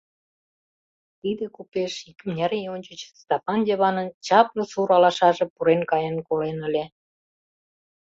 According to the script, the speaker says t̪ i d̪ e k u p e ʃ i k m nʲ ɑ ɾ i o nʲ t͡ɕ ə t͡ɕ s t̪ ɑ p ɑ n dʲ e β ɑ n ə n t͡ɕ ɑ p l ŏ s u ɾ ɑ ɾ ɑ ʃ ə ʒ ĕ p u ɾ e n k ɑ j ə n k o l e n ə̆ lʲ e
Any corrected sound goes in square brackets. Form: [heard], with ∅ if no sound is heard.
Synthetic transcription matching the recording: t̪ i d̪ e k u p e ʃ i k m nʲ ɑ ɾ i o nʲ t͡ɕ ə t͡ɕ s t̪ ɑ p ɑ n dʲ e β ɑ n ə n t͡ɕ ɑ p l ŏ s u ɾ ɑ [l] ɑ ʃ [ɑ] ʒ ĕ p u ɾ e n k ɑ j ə n k o l e n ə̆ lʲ e